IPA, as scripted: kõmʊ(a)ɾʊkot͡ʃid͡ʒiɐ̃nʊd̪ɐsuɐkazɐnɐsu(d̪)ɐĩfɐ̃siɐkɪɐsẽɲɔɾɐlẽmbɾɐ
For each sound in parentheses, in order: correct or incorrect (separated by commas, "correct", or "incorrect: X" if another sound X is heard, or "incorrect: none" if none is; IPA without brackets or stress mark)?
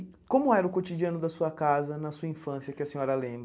incorrect: ɛ, incorrect: none